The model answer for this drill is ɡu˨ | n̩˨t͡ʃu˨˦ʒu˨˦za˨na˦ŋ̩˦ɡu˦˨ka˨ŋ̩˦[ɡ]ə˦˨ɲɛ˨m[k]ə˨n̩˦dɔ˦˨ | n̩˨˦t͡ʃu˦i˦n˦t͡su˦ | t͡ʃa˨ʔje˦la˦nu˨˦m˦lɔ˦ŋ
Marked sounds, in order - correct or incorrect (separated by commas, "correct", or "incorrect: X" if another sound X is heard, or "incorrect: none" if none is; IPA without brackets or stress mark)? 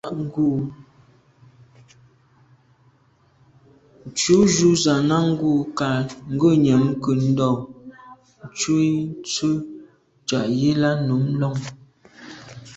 correct, correct